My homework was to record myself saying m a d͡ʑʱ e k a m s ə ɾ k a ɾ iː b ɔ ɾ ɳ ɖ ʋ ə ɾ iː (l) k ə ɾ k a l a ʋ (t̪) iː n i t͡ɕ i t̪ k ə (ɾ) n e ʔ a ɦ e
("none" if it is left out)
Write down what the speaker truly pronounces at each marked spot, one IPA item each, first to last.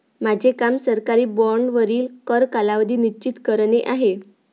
l, d̪, ɾ

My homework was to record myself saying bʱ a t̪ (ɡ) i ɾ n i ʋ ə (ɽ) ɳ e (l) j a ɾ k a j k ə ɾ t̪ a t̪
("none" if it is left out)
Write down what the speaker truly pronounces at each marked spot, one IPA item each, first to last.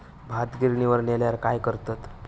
ɡ, ɾ, l

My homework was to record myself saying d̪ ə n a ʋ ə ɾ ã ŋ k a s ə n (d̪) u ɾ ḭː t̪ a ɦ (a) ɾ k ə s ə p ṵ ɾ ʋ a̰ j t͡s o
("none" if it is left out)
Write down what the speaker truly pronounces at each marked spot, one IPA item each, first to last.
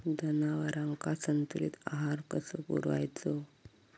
t̪, a

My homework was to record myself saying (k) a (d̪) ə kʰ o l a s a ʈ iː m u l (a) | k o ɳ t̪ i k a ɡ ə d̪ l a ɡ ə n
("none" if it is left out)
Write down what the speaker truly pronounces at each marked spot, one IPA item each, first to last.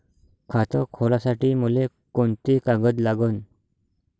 kʰ, t̪, e

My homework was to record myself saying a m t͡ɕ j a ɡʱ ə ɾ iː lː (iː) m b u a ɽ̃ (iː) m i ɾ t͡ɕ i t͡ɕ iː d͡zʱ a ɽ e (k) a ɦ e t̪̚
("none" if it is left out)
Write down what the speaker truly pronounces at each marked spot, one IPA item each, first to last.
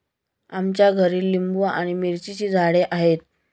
i, i, ʔ

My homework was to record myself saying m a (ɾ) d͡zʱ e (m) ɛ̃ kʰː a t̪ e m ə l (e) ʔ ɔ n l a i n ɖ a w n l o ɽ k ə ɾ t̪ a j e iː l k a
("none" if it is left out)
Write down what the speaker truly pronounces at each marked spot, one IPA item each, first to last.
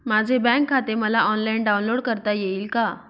none, b, a

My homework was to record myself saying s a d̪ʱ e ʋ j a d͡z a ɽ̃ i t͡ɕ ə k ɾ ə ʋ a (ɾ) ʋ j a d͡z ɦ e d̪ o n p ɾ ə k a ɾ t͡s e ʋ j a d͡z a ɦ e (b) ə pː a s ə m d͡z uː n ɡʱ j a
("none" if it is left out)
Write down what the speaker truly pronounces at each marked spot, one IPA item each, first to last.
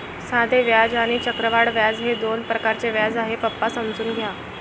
ɽ, p

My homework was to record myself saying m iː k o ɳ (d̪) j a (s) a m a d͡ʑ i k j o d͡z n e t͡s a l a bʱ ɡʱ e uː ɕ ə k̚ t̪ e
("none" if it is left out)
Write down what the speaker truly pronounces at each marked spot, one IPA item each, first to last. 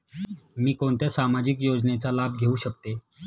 t̪, s

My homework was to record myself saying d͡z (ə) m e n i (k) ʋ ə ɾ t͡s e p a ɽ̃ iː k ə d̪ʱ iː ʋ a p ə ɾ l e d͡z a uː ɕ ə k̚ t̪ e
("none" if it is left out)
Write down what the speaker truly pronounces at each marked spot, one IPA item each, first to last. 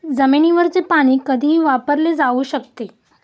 ə, none

